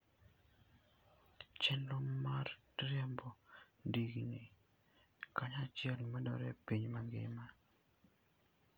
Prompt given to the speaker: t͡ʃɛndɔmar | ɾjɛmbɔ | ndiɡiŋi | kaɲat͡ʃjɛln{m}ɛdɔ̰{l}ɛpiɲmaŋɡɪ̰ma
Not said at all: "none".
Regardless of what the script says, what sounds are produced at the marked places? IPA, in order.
m, ɾ

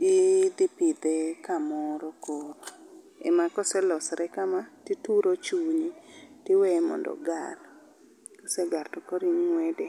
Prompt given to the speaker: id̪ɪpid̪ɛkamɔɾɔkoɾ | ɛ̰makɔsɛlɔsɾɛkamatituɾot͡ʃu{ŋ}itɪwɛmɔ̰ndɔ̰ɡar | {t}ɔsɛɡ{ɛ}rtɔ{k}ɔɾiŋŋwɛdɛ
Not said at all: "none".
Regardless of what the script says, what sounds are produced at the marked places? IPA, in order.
ɲ, k, a, k

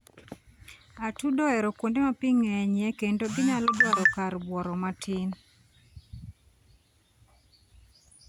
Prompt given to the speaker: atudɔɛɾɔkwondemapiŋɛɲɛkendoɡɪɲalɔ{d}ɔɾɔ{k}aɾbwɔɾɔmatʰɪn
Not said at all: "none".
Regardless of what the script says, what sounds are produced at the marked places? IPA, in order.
d, k

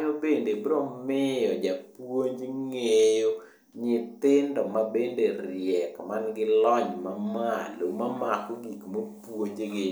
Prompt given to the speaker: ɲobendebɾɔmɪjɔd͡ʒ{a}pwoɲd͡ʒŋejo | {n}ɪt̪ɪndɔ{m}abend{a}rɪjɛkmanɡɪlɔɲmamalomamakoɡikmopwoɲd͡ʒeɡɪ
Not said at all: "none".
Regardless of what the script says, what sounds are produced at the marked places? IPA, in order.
a, ɲ, m, e

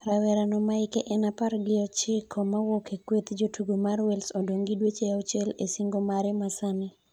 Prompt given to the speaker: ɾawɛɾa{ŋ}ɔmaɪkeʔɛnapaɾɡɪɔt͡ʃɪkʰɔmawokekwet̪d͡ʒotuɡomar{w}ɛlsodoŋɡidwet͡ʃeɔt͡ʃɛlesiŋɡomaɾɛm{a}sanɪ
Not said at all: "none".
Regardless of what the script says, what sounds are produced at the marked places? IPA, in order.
n, w, a

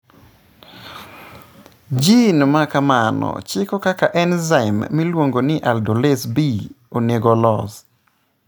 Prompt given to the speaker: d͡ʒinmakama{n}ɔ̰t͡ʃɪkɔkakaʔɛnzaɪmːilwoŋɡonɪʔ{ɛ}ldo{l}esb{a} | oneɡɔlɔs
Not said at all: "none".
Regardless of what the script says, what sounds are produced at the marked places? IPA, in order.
n, a, l, i

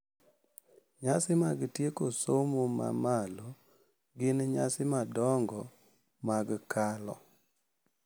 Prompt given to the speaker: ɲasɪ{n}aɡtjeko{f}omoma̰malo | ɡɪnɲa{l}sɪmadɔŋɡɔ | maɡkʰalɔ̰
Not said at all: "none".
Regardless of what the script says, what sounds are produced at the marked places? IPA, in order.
m, s, none

